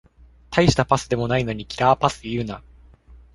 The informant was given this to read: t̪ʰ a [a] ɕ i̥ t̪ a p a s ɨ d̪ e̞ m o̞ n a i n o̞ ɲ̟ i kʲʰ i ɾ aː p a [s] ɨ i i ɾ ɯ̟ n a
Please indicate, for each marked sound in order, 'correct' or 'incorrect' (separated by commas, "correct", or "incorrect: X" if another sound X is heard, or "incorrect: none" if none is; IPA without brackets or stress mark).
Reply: incorrect: i, correct